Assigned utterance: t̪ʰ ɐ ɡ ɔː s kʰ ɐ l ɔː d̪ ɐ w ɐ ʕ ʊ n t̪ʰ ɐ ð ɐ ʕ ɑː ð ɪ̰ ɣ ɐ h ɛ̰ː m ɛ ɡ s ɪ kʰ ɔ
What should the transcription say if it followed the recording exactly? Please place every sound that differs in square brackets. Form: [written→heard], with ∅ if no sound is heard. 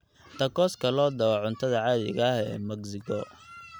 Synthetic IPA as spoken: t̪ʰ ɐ [ɡ→k] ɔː s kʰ ɐ l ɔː d̪ ɐ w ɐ ʕ ʊ n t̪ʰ ɐ ð ɐ ʕ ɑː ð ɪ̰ ɣ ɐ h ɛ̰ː m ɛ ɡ s ɪ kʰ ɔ